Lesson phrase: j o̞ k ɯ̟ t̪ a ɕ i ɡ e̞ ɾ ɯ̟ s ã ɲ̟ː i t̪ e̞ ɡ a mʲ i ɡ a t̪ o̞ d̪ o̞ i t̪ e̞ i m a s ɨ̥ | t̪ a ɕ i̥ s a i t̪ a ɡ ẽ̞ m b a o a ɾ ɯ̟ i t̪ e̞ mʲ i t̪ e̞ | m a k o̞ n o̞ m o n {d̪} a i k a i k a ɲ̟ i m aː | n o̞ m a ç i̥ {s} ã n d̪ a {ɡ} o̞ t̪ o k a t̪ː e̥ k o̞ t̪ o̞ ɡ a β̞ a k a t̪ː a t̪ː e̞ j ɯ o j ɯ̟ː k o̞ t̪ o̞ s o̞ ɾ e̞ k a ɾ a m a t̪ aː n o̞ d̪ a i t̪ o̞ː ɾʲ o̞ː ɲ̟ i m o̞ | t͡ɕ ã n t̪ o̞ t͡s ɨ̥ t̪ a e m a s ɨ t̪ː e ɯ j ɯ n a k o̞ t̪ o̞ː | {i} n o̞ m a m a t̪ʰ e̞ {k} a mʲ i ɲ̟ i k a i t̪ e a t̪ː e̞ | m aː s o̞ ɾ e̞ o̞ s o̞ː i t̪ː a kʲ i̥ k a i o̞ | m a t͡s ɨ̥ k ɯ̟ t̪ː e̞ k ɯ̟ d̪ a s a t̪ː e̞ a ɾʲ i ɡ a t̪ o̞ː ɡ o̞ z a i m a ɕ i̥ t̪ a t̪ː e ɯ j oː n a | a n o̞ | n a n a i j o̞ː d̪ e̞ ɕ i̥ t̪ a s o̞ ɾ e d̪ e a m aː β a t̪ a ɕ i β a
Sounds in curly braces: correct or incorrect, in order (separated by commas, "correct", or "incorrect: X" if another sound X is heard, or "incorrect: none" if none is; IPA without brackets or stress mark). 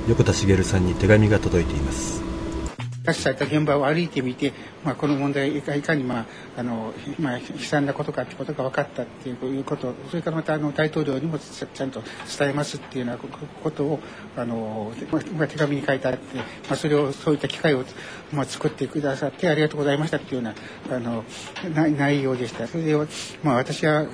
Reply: correct, correct, incorrect: k, incorrect: a, incorrect: ɡ